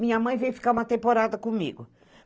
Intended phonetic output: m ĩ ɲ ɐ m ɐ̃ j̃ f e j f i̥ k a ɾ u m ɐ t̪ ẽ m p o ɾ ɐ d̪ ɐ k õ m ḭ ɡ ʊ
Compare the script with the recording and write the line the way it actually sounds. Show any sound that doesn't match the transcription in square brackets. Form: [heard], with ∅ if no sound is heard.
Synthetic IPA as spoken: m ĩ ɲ ɐ m ɐ̃ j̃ [v] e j f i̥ k a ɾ u m ɐ t̪ ẽ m p o ɾ [a] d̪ ɐ k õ m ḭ ɡ ʊ

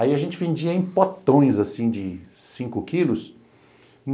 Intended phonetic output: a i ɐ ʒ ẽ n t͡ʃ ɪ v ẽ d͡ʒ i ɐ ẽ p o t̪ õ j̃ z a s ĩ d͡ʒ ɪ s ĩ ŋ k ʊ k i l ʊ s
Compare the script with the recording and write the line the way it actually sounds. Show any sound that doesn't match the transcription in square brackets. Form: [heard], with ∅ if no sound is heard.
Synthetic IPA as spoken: a i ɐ ʒ ẽ n t͡ʃ ɪ v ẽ d͡ʒ i ɐ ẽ p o t̪ õ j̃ z a s ĩ d͡ʒ ɪ s ĩ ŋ k ʊ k i l ʊ s

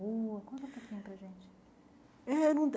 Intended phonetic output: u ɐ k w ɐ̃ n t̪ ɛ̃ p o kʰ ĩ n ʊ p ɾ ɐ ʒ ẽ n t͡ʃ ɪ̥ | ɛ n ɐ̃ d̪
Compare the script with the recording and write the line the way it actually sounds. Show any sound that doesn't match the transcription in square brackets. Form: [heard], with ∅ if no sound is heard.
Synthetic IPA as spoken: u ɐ k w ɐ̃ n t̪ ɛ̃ p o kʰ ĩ [ɲ] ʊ p ɾ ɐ ʒ ẽ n t͡ʃ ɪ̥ | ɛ n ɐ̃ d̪

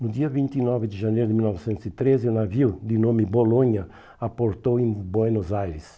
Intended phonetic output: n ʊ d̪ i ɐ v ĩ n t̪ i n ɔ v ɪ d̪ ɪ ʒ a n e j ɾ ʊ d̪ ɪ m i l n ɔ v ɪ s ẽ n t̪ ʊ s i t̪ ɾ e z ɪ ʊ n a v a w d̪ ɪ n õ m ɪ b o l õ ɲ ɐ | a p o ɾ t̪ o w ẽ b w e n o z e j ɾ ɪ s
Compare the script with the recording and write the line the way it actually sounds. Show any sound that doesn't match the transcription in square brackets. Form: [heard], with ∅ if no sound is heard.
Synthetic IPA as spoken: n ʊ d̪ i ɐ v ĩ n t̪ i n ɔ v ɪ d̪ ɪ ʒ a n e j ɾ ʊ d̪ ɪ m i l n ɔ v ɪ s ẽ n t̪ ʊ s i t̪ ɾ e z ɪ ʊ n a v [i] w d̪ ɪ n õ m ɪ b o l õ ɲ ɐ | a p o ɾ t̪ o w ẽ b w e n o z [a] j ɾ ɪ s

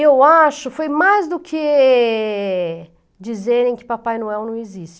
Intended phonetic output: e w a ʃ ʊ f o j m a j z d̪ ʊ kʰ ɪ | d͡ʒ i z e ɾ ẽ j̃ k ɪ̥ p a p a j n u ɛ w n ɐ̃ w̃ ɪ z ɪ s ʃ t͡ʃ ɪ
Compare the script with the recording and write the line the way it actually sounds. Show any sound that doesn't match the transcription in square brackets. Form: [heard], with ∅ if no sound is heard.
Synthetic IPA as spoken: e w a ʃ ʊ f o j m a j z d̪ ʊ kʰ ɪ | d͡ʒ i z e ɾ ẽ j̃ k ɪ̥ p a p a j n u ɛ w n ɐ̃ w̃ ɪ z [i] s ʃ t͡ʃ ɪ

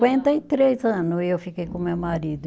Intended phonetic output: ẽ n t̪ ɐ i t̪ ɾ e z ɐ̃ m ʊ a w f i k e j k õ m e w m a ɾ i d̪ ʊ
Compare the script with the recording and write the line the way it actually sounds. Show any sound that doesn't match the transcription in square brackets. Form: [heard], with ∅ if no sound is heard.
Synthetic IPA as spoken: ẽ n t̪ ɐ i t̪ ɾ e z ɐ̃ [n] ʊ [e] w f i k e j k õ m e w m a ɾ i d̪ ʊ

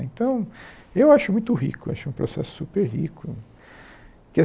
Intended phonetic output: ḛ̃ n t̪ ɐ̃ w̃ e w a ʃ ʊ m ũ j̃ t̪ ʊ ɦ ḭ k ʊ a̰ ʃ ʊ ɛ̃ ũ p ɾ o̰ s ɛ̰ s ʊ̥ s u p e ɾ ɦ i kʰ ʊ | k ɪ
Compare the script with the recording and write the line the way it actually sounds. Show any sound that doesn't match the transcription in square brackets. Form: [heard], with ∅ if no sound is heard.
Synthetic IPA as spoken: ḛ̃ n t̪ ɐ̃ w̃ e w a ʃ ʊ m ũ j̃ t̪ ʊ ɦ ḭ k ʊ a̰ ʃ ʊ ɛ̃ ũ p ɾ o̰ s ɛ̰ s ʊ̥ s u p e ɾ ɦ i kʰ ʊ | k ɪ

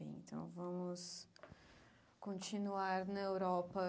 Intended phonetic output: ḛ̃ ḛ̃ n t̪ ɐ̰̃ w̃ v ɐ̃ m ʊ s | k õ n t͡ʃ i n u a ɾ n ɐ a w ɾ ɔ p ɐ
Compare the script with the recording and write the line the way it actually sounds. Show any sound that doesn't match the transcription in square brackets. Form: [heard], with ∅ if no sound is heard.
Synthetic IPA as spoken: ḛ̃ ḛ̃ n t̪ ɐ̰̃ w̃ v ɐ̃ m ʊ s | k õ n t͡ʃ i n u a ɾ n ɐ [e] w ɾ ɔ p ɐ

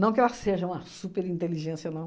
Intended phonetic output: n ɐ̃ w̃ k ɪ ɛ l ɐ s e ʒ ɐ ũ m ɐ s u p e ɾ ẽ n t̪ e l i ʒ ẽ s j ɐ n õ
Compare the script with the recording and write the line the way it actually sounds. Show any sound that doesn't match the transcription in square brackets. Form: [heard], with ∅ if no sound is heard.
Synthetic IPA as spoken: n ɐ̃ w̃ k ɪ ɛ l ɐ s e ʒ ɐ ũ m ɐ s u p e ɾ [ĩ] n t̪ e l i ʒ ẽ s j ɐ n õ

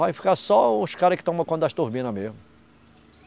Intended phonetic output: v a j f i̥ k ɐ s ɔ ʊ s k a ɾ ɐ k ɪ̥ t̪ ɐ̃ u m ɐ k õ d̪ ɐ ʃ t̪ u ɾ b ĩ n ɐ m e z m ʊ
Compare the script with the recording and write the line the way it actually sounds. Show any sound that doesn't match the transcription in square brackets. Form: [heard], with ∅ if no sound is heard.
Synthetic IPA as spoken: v a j f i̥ k [a] s ɔ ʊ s k a ɾ ɐ k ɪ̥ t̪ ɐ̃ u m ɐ k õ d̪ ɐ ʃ t̪ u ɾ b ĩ n ɐ m e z m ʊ

